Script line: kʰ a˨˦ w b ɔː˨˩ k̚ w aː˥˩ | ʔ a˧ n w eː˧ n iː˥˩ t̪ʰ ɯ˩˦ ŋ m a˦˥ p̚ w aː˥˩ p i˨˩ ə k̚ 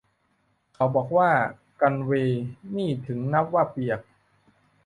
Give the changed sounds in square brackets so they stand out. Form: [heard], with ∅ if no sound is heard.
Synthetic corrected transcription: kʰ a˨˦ w b ɔː˨˩ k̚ w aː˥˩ | [k] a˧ n w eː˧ n iː˥˩ t̪ʰ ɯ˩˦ ŋ [n] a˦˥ p̚ w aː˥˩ p i˨˩ ə k̚